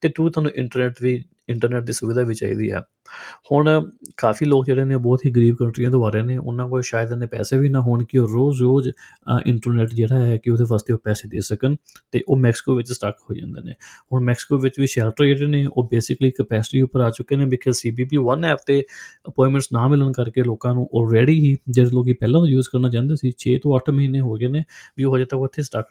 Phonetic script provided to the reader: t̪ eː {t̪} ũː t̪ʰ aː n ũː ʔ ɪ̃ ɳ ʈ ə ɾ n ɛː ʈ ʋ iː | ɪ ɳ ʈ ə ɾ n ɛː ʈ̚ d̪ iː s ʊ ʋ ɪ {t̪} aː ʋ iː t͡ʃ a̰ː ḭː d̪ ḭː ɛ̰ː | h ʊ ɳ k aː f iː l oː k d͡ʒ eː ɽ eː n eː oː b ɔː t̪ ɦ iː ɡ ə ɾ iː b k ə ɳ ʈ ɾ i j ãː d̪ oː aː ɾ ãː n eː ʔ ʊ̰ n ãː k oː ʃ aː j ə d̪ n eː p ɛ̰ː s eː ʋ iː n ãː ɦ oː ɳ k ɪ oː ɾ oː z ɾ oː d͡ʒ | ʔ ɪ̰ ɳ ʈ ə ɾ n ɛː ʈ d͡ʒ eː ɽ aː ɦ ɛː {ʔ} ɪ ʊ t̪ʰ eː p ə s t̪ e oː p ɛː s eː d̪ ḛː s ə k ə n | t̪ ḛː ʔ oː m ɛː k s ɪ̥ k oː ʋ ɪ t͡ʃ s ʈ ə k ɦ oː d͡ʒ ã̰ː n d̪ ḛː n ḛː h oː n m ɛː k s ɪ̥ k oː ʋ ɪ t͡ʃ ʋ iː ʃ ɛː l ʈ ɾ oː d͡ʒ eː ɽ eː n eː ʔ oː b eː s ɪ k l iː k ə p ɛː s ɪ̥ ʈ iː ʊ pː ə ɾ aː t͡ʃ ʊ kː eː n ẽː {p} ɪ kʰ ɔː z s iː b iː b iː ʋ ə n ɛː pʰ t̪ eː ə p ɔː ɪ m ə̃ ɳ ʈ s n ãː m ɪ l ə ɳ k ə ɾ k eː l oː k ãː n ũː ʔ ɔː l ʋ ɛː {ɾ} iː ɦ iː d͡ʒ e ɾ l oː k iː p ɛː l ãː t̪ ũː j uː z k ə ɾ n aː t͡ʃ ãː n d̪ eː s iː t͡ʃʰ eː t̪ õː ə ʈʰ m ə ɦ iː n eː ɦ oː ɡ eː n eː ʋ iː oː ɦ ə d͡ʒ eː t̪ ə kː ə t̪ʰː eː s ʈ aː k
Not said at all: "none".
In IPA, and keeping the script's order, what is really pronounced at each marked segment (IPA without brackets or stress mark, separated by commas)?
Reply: t̪, d̪, k, b, ɽ